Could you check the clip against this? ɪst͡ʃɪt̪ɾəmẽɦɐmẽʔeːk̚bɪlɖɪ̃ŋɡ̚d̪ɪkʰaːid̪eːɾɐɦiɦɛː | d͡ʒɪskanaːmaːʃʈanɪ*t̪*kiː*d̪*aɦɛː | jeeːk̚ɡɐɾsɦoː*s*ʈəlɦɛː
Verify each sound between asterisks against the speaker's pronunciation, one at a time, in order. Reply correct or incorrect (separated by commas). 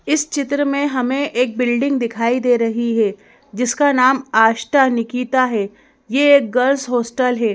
incorrect, incorrect, correct